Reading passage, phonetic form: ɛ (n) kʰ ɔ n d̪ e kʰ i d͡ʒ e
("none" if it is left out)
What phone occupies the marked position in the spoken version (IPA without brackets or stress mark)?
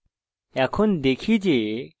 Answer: none